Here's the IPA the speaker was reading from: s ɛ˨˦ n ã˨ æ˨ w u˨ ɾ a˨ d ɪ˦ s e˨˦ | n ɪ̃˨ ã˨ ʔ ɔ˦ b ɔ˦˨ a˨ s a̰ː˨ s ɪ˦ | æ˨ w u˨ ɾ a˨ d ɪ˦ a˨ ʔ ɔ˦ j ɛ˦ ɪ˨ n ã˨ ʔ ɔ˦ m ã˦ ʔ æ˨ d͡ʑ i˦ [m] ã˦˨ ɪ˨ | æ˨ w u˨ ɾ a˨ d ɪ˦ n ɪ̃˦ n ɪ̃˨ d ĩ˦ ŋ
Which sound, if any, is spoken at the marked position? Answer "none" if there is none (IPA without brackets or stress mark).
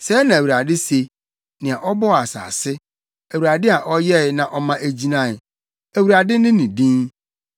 n